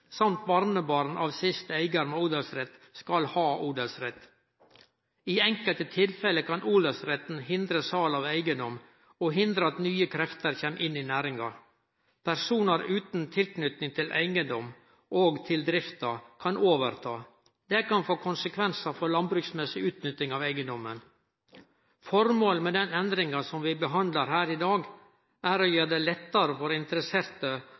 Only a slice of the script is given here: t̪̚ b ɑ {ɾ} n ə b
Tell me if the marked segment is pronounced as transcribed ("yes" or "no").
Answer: yes